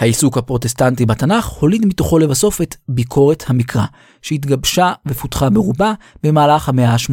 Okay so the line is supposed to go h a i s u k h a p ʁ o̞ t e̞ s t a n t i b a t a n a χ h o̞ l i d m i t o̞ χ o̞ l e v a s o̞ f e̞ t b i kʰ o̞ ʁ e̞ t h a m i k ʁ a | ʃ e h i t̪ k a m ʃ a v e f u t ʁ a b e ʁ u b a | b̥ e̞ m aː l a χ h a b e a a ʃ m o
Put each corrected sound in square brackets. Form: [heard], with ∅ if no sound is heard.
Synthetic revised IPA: h a i s u k h a p ʁ o̞ t e̞ s t a n t i b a t a n a χ h o̞ l i d m i t o̞ χ o̞ l e v a s o̞ f e̞ t b i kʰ o̞ ʁ e̞ t h a m i k ʁ a | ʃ e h i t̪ [ɡ] a [b] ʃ a v e f u t [χ] a b e ʁ u b a | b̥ e̞ m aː l a χ h a [m] e a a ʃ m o